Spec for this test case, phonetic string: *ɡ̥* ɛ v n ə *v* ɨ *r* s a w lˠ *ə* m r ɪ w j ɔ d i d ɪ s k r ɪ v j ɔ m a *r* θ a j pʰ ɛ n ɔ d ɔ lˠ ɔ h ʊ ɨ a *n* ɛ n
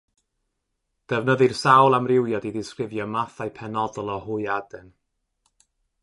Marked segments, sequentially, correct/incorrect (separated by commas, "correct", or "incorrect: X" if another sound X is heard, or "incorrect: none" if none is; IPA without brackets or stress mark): incorrect: d̥, incorrect: ð, correct, incorrect: a, incorrect: none, incorrect: d